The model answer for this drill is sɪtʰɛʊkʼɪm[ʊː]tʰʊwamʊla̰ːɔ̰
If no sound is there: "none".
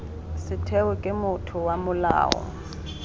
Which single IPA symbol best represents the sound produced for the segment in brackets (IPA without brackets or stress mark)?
ʊ